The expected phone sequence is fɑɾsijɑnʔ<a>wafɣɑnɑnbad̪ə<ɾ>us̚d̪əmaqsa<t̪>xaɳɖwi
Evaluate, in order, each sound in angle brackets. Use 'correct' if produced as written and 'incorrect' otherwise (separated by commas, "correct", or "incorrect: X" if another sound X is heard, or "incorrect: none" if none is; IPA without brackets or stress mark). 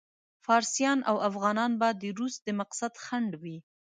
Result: correct, correct, incorrect: d̪